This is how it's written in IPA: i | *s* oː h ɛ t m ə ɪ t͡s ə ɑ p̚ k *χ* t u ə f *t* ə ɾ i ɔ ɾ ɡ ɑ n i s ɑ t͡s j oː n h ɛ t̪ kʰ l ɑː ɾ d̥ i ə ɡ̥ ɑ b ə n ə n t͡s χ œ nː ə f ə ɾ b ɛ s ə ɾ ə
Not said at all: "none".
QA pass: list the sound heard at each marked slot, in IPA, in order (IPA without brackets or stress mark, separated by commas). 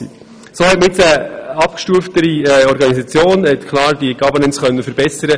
s, ʃ, t